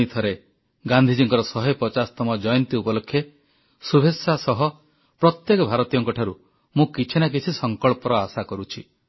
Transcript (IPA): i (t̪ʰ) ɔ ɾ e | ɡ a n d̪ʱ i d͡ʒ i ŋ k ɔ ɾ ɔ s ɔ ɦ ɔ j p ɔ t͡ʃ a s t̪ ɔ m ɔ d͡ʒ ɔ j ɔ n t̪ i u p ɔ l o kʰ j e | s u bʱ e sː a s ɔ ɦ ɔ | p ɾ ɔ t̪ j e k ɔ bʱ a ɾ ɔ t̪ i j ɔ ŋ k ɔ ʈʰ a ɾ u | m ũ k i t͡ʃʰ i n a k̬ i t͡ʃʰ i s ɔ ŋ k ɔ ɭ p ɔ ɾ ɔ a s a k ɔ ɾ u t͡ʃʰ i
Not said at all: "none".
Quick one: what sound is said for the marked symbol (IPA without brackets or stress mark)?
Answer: t̪ʰ